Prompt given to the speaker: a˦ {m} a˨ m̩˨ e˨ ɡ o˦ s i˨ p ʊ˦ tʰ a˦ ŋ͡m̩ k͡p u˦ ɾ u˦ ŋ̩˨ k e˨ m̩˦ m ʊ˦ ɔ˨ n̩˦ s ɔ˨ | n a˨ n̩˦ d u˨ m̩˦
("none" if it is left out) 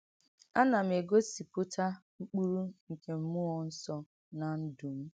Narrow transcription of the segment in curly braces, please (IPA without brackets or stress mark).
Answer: n